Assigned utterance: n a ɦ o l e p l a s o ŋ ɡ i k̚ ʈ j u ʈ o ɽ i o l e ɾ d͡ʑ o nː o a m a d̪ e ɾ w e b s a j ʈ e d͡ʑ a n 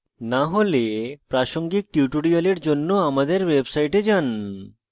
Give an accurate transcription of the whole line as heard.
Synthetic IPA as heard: n a ɦ o l e p ɾ a ʃ o ŋ ɡ i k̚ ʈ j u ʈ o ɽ i o l e ɾ d͡ʑ o nː o a m a d̪ e ɾ w e b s a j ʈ e d͡ʑ a n